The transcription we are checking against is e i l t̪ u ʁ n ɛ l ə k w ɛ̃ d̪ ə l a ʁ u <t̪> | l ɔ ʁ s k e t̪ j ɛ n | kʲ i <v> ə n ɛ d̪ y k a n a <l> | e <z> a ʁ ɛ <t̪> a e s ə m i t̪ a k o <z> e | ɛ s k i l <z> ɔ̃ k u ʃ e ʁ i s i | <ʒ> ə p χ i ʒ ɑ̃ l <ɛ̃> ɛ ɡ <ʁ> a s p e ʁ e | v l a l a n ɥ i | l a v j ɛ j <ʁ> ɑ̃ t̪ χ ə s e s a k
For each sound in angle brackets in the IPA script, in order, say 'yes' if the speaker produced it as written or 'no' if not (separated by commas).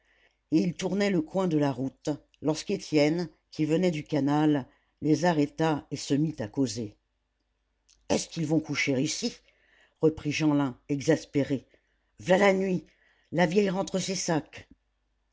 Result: yes, yes, no, yes, yes, yes, no, no, yes, no, yes